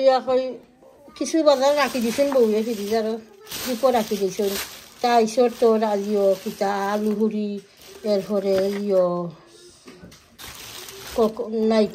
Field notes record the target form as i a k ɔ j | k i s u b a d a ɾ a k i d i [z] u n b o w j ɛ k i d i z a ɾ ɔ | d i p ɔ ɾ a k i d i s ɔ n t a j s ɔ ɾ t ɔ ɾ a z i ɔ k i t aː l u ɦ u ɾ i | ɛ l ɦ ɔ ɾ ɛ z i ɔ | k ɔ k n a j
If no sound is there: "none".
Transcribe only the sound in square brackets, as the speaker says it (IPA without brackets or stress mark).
s